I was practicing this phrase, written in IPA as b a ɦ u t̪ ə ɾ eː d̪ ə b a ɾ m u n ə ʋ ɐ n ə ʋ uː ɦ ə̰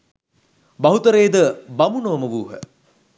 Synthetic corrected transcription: b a ɦ u t̪ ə ɾ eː d̪ ə b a m u n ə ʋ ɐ m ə ʋ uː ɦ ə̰